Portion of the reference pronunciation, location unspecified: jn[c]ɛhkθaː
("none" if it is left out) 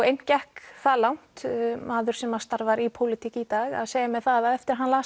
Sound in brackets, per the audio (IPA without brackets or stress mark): c